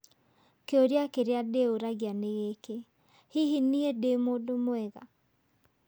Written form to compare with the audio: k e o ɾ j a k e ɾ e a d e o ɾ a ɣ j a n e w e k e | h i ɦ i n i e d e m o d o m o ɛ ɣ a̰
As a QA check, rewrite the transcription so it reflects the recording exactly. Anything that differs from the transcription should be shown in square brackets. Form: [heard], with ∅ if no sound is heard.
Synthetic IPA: k e o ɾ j a k e ɾ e a d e o ɾ a ɣ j a n e [ɣ] e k e | h i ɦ i n i e d e m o d o m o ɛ ɣ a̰